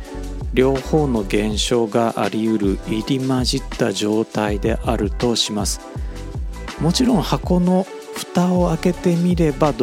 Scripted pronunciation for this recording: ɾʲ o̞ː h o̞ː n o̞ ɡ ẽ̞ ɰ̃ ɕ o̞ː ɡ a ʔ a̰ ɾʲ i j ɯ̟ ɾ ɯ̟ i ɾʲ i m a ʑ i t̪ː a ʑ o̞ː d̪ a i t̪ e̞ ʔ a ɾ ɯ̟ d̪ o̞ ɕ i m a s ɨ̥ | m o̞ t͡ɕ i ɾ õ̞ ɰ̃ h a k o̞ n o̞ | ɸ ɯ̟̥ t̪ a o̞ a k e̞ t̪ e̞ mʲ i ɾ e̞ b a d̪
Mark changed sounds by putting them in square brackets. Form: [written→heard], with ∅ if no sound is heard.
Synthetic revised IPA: ɾʲ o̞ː h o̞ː n o̞ ɡ ẽ̞ ɰ̃ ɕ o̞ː ɡ a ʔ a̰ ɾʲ i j ɯ̟ ɾ ɯ̟ i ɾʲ i m a ʑ i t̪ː a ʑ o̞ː [d̪→t̪] a i [t̪→d̪] e̞ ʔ a ɾ ɯ̟ [d̪→t̪] o̞ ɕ i m a s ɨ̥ | m o̞ t͡ɕ i ɾ õ̞ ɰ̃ h a k o̞ n o̞ | ɸ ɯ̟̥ t̪ a o̞ a k e̞ t̪ e̞ mʲ i ɾ e̞ b a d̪